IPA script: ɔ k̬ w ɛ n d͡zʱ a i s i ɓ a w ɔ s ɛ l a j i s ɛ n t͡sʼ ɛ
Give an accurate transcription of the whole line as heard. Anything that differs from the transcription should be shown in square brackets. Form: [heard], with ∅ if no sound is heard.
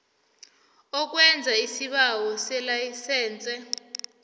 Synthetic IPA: ɔ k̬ w ɛ n d͡zʱ a i s i ɓ a w ɔ s ɛ l a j i s [ɛː] n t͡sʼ ɛ